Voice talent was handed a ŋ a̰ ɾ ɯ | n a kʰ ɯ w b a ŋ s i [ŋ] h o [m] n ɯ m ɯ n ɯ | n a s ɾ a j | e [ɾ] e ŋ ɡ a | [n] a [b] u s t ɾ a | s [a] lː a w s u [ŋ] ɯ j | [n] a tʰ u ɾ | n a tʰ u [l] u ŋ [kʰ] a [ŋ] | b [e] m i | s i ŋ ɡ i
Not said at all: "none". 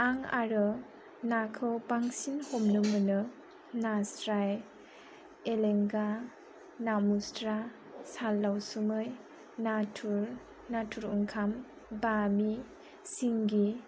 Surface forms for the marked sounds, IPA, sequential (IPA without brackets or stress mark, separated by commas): n, m, l, n, m, a, m, n, ɾ, kʰ, m, a